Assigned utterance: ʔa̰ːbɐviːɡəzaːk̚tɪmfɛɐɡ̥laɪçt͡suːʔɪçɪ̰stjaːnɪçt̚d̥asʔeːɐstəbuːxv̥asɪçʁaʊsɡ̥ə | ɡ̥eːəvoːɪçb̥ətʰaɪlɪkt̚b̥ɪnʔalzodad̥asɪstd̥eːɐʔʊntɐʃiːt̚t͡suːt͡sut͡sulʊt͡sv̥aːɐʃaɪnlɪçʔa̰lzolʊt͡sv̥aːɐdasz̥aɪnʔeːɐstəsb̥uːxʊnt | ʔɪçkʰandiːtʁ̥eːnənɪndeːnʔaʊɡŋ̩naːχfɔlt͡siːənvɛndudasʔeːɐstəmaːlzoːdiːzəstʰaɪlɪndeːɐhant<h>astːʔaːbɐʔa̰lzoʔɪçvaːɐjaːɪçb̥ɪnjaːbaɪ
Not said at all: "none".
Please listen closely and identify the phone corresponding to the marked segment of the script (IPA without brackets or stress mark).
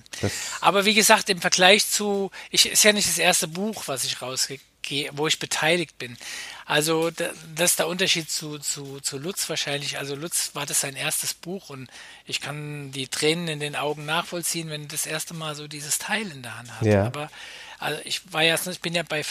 h